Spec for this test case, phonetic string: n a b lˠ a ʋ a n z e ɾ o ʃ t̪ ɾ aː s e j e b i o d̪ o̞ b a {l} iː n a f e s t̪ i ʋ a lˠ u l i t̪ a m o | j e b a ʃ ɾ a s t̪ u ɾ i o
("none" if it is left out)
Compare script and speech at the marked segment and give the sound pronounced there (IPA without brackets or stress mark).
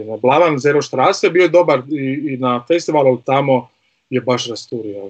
ɾ